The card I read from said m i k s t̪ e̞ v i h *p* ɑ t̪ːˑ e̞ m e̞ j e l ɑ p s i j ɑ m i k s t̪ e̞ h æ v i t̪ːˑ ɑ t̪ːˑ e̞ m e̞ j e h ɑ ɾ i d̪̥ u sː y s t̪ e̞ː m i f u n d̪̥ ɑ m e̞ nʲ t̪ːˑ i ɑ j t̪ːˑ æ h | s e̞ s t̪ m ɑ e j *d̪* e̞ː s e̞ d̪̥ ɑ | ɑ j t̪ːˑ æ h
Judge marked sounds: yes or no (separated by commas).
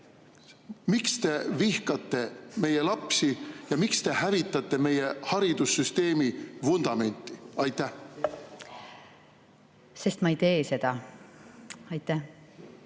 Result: no, no